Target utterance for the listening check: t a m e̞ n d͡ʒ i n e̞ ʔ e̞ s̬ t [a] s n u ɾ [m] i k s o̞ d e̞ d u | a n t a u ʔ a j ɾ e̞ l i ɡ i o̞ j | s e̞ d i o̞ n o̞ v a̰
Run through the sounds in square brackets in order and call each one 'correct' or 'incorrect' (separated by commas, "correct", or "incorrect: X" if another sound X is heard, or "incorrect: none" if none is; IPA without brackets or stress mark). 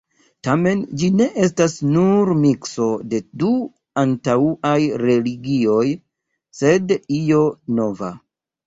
correct, correct